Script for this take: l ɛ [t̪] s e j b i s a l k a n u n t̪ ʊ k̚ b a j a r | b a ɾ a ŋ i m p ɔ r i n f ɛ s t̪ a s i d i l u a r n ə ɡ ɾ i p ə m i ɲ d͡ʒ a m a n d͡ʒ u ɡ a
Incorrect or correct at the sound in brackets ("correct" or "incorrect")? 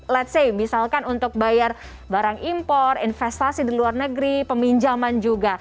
correct